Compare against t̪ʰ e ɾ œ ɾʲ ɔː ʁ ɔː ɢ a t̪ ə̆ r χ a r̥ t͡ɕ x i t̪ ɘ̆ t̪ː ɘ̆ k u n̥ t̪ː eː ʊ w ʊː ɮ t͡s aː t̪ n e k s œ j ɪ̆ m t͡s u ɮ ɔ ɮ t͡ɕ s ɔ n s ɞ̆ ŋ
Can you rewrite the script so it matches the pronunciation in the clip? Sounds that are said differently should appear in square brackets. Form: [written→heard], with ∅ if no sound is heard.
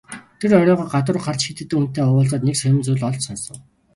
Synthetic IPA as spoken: t̪ʰ e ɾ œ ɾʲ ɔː ʁ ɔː ɢ a t̪ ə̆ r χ a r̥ t͡ɕ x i t̪ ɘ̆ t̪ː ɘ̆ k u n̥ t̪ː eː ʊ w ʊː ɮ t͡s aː t̪ n e k s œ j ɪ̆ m t͡s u ɮ ɔ ɮ t͡ɕ s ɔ n s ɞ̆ ŋ